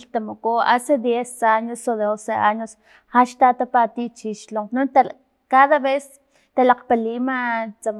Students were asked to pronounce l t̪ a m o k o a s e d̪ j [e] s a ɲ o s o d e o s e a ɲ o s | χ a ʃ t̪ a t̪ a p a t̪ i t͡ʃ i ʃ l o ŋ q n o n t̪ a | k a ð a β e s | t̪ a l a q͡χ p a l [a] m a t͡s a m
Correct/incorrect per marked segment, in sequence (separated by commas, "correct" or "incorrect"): correct, incorrect